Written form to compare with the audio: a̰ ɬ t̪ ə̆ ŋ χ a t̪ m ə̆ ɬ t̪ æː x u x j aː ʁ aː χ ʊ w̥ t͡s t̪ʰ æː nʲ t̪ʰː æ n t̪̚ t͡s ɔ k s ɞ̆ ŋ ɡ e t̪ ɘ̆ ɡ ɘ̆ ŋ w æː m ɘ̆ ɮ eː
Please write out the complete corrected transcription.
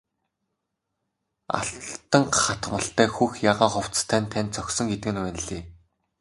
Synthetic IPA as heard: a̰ ɬ t̪ ə̆ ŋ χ a t̪ m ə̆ ɬ t̪ æː x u x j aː ʁ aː χ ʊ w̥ t͡s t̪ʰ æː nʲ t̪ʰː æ n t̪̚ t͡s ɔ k s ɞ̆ ŋ ɡ e t̪ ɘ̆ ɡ ɘ̆ n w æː n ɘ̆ ɮ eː